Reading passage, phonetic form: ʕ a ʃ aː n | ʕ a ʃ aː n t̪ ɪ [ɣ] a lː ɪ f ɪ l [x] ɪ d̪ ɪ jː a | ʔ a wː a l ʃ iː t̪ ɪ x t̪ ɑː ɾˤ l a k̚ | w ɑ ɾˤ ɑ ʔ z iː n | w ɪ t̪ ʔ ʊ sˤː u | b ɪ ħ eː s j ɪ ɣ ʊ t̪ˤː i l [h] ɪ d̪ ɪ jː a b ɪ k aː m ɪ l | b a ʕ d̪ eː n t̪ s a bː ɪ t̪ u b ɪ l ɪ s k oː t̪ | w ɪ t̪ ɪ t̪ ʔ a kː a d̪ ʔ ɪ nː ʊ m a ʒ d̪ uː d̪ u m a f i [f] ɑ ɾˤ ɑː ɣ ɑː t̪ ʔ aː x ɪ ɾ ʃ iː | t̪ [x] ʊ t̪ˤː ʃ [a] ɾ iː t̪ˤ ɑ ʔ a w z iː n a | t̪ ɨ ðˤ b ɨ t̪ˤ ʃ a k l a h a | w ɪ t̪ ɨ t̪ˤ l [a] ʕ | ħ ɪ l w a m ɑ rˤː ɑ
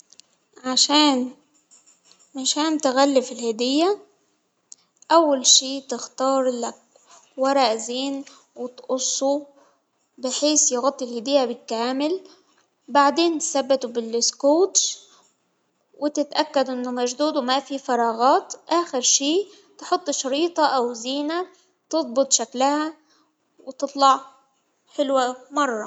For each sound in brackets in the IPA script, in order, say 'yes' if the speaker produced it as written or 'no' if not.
yes, no, yes, yes, no, no, no

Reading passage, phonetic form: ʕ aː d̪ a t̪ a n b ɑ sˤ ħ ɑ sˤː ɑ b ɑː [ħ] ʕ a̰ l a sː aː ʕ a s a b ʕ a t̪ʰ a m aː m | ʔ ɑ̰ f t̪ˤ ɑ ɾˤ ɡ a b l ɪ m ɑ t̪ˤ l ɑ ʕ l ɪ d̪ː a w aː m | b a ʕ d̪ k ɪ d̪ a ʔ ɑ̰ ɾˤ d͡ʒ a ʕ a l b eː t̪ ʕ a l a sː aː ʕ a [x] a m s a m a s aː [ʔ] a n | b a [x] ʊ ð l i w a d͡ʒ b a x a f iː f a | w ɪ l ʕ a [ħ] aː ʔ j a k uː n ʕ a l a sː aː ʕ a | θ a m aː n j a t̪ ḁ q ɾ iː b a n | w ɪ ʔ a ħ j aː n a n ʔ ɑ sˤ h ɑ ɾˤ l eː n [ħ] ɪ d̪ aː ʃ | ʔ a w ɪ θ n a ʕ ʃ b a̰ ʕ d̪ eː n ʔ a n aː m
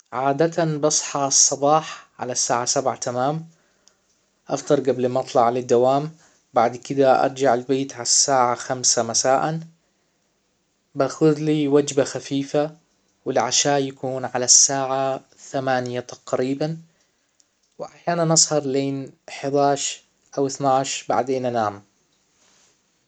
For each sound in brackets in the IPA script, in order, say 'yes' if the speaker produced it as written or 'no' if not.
yes, yes, yes, yes, no, yes

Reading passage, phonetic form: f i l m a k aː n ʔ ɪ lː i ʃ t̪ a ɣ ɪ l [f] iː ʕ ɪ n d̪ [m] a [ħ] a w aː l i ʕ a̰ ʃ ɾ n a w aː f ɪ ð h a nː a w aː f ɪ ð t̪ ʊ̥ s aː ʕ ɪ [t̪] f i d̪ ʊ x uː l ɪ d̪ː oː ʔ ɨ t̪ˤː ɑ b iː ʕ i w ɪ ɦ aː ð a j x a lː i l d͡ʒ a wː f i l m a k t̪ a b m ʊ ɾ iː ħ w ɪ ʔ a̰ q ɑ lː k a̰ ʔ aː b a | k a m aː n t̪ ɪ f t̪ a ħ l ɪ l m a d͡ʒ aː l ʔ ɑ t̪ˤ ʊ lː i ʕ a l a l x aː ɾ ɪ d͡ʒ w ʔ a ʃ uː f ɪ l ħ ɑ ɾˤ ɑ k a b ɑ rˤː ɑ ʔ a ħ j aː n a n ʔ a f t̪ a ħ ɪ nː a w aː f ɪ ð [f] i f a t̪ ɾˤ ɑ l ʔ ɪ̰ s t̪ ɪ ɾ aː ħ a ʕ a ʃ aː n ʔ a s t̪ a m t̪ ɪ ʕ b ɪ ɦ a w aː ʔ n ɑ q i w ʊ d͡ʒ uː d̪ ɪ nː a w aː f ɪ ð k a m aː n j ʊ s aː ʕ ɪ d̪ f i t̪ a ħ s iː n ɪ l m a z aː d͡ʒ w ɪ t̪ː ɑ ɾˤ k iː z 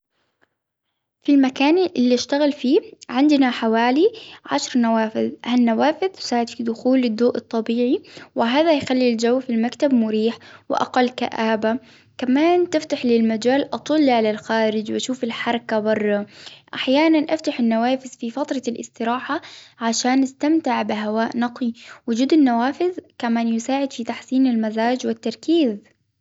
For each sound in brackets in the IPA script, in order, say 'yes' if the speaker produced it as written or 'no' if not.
yes, no, yes, no, yes

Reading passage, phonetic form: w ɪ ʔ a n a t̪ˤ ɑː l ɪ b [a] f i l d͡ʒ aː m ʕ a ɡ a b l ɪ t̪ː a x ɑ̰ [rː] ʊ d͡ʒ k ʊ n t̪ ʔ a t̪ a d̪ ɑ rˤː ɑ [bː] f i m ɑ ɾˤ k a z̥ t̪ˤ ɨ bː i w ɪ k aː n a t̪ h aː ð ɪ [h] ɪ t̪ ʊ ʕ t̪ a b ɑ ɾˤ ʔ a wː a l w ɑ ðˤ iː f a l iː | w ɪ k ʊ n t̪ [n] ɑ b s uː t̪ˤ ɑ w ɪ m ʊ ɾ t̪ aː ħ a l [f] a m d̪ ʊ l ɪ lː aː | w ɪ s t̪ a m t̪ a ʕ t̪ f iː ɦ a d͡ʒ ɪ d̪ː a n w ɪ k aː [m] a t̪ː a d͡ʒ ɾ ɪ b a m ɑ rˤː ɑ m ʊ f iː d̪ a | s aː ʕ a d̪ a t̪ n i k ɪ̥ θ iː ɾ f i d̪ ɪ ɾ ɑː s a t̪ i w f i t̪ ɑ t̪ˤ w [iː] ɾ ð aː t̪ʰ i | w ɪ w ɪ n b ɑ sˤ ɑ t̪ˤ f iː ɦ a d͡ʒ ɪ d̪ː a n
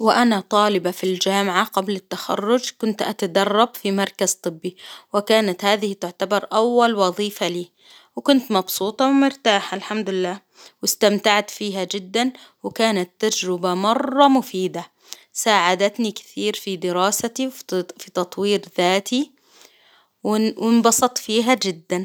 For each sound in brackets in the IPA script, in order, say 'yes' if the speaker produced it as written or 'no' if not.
yes, yes, no, yes, no, no, no, yes

